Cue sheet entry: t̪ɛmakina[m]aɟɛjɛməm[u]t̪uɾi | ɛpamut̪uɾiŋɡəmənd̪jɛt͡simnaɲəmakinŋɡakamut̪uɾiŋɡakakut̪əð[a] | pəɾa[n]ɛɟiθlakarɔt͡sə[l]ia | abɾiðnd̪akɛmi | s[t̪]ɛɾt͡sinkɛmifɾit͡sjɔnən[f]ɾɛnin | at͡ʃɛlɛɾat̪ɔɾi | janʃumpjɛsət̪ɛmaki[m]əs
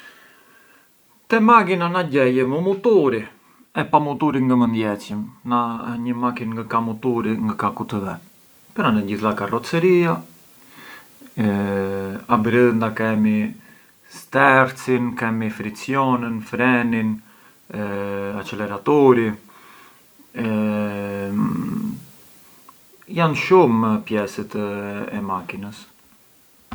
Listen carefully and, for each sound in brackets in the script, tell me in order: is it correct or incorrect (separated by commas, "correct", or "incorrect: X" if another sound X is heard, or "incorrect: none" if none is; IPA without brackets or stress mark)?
incorrect: n, correct, incorrect: ɛ, correct, incorrect: ɾ, correct, correct, incorrect: n